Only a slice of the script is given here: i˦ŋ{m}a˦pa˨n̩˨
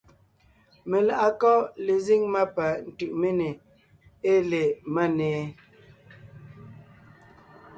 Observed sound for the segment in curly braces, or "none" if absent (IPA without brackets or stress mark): m